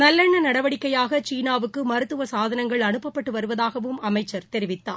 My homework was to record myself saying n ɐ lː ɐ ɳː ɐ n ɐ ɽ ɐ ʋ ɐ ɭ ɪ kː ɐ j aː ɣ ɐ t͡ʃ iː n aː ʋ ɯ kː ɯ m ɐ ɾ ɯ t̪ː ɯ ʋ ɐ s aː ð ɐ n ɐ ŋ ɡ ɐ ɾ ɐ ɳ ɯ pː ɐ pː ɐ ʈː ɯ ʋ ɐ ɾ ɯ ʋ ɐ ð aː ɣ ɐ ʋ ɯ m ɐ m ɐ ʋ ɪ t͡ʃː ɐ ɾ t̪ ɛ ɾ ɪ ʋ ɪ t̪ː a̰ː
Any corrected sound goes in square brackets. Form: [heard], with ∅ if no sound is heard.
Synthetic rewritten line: n ɐ lː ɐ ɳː ɐ n ɐ ɽ ɐ ʋ ɐ [ɽ] ɪ kː ɐ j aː ɣ ɐ t͡ʃ iː n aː ʋ ɯ kː ɯ m ɐ ɾ ɯ t̪ː ɯ ʋ ɐ s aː ð ɐ n ɐ ŋ ɡ ɐ [ɭ] ɐ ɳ ɯ pː ɐ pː ɐ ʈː ɯ ʋ ɐ ɾ ɯ ʋ ɐ ð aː ɣ ɐ ʋ ɯ m ɐ m ɐ [∅] ɪ t͡ʃː ɐ ɾ t̪ ɛ ɾ ɪ ʋ ɪ t̪ː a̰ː